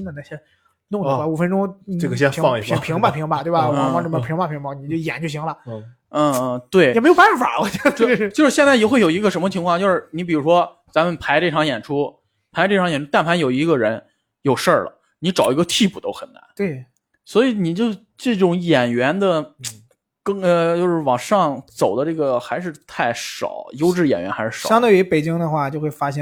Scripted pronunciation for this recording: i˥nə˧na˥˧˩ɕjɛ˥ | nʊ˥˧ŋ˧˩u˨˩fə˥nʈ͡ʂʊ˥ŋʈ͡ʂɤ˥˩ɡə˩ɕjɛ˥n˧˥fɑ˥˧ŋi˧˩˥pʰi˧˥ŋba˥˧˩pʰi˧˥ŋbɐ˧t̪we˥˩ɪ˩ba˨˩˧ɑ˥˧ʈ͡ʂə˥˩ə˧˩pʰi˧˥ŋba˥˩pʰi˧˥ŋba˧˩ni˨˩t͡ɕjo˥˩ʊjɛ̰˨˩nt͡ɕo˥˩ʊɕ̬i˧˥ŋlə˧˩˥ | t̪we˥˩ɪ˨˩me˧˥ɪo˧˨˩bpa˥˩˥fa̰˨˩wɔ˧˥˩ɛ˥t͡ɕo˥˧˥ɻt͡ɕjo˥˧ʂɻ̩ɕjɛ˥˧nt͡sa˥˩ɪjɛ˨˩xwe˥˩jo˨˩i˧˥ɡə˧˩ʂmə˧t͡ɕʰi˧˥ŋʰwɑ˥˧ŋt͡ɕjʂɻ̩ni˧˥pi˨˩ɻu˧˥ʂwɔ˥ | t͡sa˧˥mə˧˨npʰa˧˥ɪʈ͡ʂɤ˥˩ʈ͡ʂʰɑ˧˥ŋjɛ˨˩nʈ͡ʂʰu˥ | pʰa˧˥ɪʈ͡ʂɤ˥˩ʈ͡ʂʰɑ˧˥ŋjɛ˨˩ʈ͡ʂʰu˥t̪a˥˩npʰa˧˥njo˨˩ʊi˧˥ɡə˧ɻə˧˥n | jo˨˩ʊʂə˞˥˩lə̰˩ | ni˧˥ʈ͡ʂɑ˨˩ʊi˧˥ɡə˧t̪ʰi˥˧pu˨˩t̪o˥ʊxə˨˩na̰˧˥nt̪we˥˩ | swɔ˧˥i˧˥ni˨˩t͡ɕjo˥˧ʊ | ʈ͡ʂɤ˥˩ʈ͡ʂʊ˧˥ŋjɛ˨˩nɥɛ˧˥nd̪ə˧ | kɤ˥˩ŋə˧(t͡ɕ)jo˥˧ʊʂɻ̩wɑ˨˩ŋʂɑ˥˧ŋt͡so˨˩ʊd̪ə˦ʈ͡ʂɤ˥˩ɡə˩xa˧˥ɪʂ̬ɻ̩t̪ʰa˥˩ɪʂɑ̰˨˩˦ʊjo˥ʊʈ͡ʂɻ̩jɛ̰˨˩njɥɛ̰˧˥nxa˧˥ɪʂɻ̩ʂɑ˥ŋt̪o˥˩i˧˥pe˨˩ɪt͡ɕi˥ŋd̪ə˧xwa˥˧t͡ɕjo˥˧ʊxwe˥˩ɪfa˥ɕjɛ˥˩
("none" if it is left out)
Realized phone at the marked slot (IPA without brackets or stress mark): t͡ɕ